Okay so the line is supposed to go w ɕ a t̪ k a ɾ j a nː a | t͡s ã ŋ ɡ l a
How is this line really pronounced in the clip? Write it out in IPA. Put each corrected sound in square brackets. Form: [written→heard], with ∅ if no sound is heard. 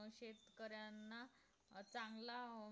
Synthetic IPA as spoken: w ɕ [a→e] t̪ k [a→ə] ɾ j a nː a | t͡s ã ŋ ɡ l a